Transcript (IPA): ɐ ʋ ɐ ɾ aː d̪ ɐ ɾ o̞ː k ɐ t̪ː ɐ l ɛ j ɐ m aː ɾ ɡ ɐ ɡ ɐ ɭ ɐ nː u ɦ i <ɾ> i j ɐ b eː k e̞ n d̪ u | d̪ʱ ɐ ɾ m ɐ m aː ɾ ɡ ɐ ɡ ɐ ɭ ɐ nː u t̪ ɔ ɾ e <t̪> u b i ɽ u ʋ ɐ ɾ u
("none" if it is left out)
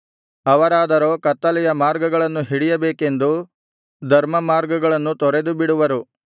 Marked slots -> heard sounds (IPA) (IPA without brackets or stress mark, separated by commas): ɽ, d̪